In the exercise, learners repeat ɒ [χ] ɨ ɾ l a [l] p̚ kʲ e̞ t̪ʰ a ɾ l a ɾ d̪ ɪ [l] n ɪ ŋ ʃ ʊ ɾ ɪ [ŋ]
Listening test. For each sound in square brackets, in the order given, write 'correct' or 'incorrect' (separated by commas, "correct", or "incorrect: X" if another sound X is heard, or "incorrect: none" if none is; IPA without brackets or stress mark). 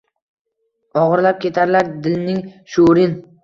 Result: incorrect: ʁ, incorrect: none, correct, incorrect: n